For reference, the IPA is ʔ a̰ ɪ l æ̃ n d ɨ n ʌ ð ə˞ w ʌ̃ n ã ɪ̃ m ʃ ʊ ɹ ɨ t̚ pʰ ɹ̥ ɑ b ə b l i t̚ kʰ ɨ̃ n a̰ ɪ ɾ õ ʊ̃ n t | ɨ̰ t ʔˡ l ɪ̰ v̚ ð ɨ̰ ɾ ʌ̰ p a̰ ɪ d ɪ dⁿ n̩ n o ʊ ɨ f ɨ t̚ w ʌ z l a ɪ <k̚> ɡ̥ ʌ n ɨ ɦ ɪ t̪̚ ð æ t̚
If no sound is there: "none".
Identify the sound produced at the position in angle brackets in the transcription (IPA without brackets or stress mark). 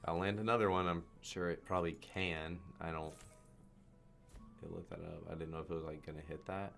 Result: k̚